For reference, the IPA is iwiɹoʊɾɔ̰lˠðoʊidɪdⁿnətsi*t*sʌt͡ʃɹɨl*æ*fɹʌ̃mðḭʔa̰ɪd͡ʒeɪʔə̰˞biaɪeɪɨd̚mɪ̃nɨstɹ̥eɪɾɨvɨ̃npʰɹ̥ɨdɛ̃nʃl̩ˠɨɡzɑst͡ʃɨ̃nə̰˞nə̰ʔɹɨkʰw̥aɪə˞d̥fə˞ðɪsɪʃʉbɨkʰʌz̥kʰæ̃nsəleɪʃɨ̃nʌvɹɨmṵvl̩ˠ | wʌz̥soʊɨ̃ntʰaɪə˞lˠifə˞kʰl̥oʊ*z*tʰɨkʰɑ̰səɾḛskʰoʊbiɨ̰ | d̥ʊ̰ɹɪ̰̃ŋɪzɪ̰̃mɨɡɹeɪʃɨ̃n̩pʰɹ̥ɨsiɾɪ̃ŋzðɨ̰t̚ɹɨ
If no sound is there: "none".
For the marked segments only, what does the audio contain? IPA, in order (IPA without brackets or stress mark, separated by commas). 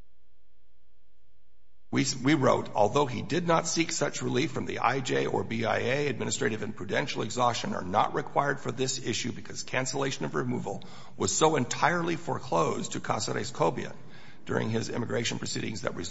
k, i, z